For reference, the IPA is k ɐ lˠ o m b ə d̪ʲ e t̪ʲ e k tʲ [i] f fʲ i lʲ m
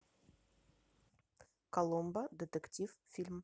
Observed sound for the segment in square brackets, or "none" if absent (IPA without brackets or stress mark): i